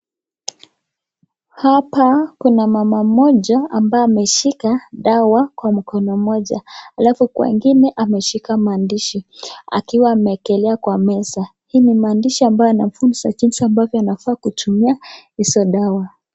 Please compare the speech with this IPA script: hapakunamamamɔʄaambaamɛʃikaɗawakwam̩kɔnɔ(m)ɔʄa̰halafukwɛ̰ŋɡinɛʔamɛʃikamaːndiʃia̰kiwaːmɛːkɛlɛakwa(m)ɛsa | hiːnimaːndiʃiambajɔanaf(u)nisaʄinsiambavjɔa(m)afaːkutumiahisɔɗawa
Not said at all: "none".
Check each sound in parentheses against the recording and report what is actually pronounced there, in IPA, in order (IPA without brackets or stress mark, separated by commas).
m, m, u, n